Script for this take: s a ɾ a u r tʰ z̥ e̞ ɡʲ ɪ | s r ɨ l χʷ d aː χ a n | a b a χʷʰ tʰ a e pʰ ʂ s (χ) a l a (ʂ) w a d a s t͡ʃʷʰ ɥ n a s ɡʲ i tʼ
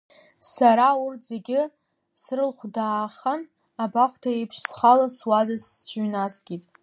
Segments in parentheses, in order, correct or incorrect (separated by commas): correct, incorrect